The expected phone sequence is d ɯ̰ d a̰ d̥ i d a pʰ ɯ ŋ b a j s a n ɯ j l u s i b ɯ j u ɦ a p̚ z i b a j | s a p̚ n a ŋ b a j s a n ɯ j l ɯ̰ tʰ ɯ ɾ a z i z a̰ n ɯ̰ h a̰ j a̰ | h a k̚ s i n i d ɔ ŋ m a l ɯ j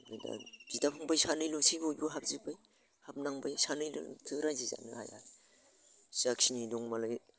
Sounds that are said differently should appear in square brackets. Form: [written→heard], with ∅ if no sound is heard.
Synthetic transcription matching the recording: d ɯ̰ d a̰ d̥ i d a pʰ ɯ ŋ b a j s a n ɯ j l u s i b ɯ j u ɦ a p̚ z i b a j | [s→h] a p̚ n a ŋ b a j s a n ɯ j l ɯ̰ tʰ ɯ ɾ a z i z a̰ n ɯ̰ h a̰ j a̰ | [h→s] a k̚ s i n i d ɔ ŋ m a l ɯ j